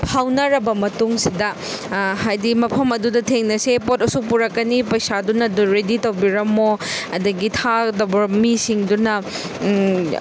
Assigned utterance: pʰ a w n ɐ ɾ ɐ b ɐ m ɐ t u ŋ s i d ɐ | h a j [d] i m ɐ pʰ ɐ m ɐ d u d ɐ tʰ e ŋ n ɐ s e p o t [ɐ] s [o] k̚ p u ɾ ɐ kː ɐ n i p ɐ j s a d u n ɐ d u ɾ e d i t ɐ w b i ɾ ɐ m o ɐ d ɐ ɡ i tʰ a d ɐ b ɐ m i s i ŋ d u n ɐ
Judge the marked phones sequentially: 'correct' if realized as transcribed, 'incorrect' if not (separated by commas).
correct, correct, incorrect